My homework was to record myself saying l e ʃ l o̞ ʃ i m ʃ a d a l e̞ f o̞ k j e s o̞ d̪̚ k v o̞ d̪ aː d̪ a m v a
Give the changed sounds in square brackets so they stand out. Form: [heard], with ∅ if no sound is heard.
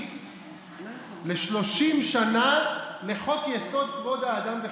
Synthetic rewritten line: l e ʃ l o̞ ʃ i m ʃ a [n] a l e̞ [χ] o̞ k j e s o̞ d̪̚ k v o̞ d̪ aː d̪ a m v [e]